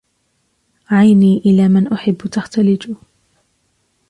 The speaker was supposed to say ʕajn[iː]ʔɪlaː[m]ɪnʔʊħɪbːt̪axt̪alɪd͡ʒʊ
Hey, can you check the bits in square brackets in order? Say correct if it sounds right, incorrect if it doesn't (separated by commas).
correct, correct